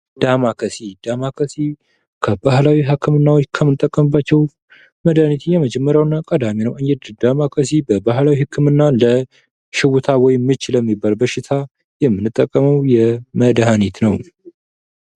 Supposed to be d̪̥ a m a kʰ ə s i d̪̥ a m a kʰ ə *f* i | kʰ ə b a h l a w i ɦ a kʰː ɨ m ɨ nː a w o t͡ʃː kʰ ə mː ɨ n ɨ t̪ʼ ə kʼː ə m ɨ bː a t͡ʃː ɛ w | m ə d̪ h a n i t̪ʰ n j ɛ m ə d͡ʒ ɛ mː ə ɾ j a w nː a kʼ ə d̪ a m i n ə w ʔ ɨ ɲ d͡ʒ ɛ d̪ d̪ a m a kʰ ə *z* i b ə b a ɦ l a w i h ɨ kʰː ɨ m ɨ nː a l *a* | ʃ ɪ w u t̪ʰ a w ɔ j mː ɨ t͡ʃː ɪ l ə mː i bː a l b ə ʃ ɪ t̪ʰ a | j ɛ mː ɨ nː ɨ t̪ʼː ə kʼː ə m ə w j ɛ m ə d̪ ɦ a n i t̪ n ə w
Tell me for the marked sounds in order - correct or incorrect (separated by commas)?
incorrect, incorrect, incorrect